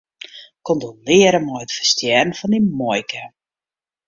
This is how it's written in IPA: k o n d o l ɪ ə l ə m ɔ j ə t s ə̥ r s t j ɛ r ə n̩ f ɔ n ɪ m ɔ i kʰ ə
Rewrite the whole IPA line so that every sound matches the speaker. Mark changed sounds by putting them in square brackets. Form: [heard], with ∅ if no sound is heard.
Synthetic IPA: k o n d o l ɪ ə [ɾ] ə m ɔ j ə t [f] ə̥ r s t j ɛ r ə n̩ f ɔ n [i] m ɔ [j] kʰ ə